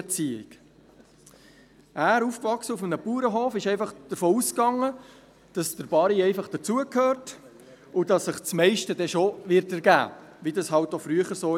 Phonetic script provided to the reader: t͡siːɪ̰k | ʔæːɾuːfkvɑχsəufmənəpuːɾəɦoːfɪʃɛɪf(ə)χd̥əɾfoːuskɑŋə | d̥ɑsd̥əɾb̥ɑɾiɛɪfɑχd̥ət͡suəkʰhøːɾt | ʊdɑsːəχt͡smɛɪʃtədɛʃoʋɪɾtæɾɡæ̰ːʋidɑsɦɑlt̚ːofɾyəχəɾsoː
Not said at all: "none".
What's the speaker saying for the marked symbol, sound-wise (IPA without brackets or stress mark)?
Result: ɑ